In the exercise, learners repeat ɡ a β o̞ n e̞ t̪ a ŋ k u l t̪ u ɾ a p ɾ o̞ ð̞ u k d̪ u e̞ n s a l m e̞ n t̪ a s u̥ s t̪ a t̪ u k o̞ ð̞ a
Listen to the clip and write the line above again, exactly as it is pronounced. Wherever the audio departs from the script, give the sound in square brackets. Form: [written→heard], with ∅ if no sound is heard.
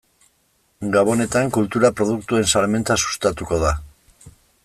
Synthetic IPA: ɡ a β o̞ n e̞ t̪ a ŋ k u l t̪ u ɾ a p ɾ o̞ ð̞ u k [d̪→t̪] u e̞ n s a l m e̞ n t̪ a s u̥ s t̪ a t̪ u k o̞ ð̞ a